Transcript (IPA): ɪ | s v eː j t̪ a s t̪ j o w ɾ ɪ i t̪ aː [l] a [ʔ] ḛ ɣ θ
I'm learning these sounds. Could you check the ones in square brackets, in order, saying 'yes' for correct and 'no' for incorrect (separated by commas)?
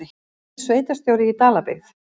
yes, no